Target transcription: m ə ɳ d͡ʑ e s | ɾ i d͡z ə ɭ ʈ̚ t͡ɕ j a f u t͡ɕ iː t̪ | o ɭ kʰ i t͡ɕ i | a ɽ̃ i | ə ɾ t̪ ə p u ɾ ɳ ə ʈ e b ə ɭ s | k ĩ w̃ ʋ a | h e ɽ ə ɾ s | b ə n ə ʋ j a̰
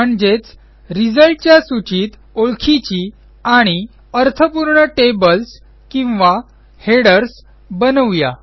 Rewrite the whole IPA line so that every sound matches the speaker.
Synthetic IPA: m ə ɳ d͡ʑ e t͡s | ɾ i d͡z ə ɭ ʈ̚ t͡ɕ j a s u t͡ɕ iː t̪ | o ɭ kʰ i t͡ɕ i | a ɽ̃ i | ə ɾ t̪ʰ ə p u ɾ ɳ ə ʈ e b ə l s | k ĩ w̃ ʋ a | h e ɽ ə ɾ s | b ə n ə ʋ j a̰

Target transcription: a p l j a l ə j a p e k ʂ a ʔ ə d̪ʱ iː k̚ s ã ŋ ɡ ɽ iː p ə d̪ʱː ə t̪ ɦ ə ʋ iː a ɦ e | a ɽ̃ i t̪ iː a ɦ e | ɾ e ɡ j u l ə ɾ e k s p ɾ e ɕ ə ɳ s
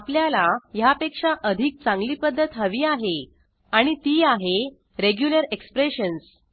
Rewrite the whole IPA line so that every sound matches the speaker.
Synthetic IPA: a p l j a l a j a p e k ʂ a ʔ ə d̪ʱ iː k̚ t͡s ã ŋ ɡ l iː p ə d̪ʱː ə t̪ ɦ ə ʋ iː a ɦ e | a ɽ̃ i t̪ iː a ɦ e | ɾ e ɡ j u l ə ɾ e k s p ɾ e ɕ ə n s

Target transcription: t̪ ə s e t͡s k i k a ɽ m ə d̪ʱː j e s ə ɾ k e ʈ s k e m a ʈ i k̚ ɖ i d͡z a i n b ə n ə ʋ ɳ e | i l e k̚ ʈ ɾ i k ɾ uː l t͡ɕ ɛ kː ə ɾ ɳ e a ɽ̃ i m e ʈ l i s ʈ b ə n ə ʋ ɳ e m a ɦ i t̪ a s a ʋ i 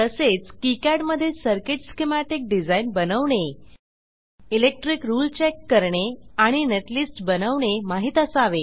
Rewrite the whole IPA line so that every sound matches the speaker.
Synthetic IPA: t̪ ə s e t͡s k i k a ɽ m ə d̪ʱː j e s ə ɾ k e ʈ s k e m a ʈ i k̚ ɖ i d͡z a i n b ə n ə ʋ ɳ e | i l e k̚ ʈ ɾ i k ɾ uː l t͡ɕ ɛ kː ə ɾ ɳ e a ɽ̃ i n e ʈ l i s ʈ b ə n ə ʋ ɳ e m a ɦ i t̪ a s a ʋ e

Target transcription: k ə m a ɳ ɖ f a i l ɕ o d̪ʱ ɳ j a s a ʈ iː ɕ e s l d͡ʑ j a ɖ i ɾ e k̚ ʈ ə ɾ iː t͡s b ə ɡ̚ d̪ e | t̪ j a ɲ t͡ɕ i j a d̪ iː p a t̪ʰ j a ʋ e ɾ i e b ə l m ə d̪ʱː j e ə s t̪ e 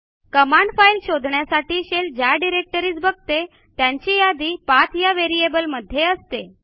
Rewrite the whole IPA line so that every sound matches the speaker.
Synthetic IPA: k ə m a ɳ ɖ f a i l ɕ o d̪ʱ ɳ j a s a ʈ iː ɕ e l d͡ʑ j a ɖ i ɾ e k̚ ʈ ə ɾ iː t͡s b ə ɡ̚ t̪ e | t̪ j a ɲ t͡ɕ i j a d̪ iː p a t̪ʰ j a ʋ e ɾ i e b ə l m ə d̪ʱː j e ə s t̪ e

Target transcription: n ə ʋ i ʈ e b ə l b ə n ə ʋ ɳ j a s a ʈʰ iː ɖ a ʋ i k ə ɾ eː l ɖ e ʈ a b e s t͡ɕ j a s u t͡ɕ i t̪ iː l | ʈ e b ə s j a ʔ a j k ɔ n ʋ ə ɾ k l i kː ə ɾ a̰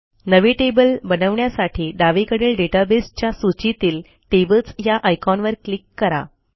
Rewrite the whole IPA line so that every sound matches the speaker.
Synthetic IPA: n ə ʋ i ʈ e b ə l b ə n ə ʋ ɳ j a s a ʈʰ iː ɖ a ʋ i k ə ɽ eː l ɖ e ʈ a b e s t͡ɕ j a s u t͡ɕ i t̪ iː l | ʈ e b ə t͡s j a ʔ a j k ɔ n ʋ ə ɾ k l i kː ə ɾ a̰

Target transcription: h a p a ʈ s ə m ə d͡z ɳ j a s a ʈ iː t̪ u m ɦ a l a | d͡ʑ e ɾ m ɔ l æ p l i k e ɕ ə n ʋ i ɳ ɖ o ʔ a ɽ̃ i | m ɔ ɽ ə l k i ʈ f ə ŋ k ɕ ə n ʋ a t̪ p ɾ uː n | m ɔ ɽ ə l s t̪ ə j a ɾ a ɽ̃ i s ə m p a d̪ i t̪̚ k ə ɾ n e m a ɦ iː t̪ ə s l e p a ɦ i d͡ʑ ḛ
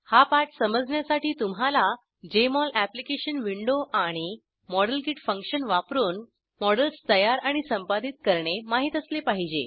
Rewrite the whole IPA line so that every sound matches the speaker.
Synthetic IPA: h a p a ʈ s ə m ə d͡z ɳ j a s a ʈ iː t̪ u m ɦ a l a | d͡ʑ e m ɔ l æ p l i k e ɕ ə n ʋ i ɳ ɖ o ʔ a ɽ̃ i | m ɔ ɽ ə l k i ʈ f ə ŋ k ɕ ə n ʋ a p ɾ uː n | m ɔ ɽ ə l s t̪ ə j a ɾ a ɽ̃ i s ə m p a d̪ i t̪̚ k ə ɾ ɳ e m a ɦ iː t̪ ə s l e p a ɦ i d͡ʑ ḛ

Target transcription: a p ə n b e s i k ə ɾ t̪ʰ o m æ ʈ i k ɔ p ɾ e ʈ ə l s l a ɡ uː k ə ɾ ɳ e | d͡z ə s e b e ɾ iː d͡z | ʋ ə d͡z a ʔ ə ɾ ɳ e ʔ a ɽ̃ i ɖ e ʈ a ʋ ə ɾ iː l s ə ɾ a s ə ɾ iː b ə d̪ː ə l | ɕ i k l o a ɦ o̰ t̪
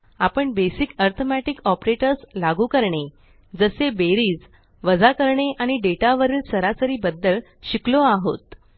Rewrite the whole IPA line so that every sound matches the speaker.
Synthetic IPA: a p ə ɳ b e s i k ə ɾ t̪ʰ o m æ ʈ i k ɔ p ɾ e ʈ ə ɾ s l a ɡ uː k ə ɾ ɳ e | d͡z ə s e b e ɾ iː d͡z | ʋ ə d͡z a k ə ɾ ɳ e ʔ a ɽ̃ i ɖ e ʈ a ʋ ə ɾ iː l s ə ɾ a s ə ɾ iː b ə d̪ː ə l | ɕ i k l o a ɦ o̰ t̪

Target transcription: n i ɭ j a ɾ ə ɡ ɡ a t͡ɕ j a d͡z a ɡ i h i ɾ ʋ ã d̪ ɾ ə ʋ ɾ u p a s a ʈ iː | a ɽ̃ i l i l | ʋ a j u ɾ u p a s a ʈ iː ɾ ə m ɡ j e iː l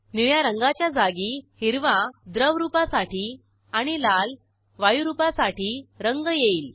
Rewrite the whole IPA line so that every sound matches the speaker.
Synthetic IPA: n i ɭ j a ɾ ə ŋ ɡ a t͡ɕ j a d͡z a ɡ i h i ɾ ʋ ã d̪ ɾ ə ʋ ɾ u p a s a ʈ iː | a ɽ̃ i l a l | ʋ a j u ɾ u p a s a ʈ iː ɾ ə ŋ ɡ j e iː l

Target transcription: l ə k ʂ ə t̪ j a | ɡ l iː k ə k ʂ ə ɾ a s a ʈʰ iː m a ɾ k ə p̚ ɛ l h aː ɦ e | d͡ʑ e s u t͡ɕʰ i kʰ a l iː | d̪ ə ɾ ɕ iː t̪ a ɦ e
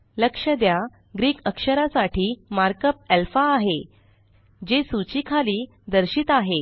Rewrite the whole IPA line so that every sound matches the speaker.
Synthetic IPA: l ə k ʂ ə d̪ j a | ɡ ɾ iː k ə k ʂ ə ɾ a s a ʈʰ iː m a ɾ k ə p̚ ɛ l f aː ɦ e | d͡ʑ e s u t͡ɕ i kʰ a l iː | d̪ ə ɾ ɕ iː t̪ a ɦ e

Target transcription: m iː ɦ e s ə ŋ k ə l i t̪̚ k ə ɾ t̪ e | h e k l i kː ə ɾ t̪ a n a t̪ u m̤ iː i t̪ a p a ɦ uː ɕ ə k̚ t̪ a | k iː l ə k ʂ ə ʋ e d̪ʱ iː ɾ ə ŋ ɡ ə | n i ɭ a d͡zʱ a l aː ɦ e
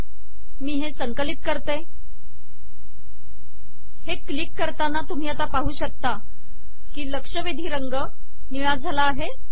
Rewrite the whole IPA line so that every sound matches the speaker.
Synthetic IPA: m iː ɦ e s ə ŋ k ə l i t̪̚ k ə ɾ t̪ e | h e k l i kː ə ɾ t̪ a n a t̪ u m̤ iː a t̪ a p a ɦ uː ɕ ə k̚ t̪ a | k iː l ə k ʂ ə ʋ e d̪ʱ iː ɾ ə ŋ ɡ ə | n i ɭ a d͡zʱ a l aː ɦ e

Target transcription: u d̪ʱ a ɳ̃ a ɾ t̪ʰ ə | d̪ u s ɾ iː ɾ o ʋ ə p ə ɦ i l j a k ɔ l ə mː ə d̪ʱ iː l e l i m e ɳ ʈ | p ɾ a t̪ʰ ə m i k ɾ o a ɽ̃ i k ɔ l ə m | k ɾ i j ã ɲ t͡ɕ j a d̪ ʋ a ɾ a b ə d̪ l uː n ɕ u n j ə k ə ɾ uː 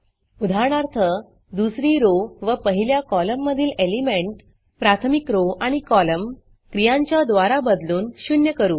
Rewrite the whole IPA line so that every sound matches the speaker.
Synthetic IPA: u d̪ʱ a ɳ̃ a ɾ t̪ʰ ə | d̪ u s ɾ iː ɾ o ʋ ə p ə ɦ i l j a k ɔ l ə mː ə d̪ʱ iː l e l i m e ɳ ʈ | p ɾ a t̪ʰ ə m i k ɾ o a ɽ̃ i k ɔ l ə m | k ɾ i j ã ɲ t͡ɕ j a d̪ ʋ a ɾ a b ə d̪ l uː n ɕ u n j ə k ə ɾ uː

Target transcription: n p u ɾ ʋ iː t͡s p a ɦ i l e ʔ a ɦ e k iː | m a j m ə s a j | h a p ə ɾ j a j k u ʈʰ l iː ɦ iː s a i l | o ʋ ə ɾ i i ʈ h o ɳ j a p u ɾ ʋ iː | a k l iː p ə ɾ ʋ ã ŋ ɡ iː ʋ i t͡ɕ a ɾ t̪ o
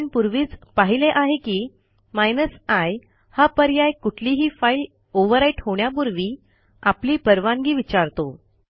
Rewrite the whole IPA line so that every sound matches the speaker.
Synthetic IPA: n p u ɾ ʋ iː t͡s p a ɦ i l e ʔ a ɦ e k iː | m a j n ə s a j | h a p ə ɾ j a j k u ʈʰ l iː ɦ iː f a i l | o ʋ ə ɾ a i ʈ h o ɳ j a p u ɾ ʋ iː | a p l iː p ə ɾ ʋ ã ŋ ɡ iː ʋ i t͡ɕ a ɾ t̪ o

